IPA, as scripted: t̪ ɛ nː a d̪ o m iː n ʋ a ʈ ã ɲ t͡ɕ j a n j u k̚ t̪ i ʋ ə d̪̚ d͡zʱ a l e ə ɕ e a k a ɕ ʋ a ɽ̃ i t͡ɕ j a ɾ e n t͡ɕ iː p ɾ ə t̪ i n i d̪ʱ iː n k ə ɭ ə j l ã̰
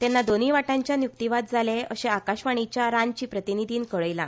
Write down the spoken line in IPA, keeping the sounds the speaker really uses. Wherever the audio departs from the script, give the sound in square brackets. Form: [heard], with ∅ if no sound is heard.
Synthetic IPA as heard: t̪ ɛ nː a d̪ o [n] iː [∅] ʋ a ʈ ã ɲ t͡ɕ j a n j u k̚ t̪ i ʋ [a] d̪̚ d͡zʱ a l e ə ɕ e a k a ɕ ʋ a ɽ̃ i t͡ɕ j a ɾ [a] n t͡ɕ iː p ɾ ə t̪ i n i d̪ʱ iː n k ə ɭ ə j l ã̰